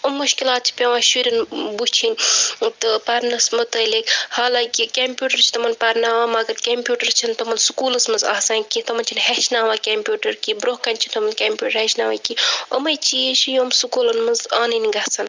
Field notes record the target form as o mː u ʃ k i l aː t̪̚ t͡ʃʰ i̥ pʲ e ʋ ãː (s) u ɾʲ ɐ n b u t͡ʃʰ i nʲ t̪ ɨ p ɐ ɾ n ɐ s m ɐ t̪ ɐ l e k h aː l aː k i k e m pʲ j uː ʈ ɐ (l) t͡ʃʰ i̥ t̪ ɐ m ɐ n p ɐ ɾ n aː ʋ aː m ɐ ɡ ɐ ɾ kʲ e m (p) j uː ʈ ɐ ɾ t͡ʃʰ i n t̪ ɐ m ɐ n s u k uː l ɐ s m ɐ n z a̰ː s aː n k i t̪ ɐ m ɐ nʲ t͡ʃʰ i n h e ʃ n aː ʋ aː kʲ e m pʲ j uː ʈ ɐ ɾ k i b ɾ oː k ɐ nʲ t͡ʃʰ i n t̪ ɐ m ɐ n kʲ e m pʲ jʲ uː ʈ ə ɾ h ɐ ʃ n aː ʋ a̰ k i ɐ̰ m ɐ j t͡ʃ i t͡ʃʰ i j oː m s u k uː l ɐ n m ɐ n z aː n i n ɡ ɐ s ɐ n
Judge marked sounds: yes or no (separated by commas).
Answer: no, no, yes